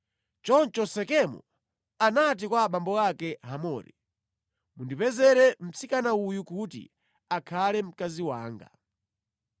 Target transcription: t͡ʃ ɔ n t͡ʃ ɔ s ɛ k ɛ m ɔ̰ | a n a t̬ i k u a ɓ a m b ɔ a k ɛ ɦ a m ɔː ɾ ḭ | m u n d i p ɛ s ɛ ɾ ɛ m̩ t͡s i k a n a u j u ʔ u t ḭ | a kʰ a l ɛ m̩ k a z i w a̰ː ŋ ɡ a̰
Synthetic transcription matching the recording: t͡ʃ ɔ n t͡ʃ ɔ s ɛ k ɛ m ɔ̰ | a n a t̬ i k w a ɓ a m b ɔ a k ɛ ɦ a m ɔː ɾ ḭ | m u n d i p ɛ z ɛ ɾ ɛ m̩ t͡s i k a n a u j u k u t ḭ | a kʰ a l ɛ m̩ k a z i w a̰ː ŋ ɡ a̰